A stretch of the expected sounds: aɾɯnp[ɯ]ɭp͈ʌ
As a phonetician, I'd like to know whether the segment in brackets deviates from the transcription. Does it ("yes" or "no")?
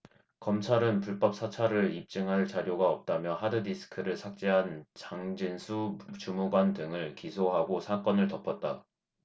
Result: yes